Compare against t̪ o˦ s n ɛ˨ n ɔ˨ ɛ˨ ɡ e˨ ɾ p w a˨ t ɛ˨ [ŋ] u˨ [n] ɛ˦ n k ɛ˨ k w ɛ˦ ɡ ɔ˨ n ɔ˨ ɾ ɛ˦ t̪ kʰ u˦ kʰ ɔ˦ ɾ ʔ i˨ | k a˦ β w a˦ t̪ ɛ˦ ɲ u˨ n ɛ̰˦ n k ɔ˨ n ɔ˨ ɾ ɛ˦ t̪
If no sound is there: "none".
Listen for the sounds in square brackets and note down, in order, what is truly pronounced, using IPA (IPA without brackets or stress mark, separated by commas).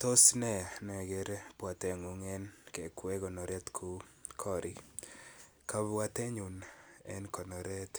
ŋ, ŋ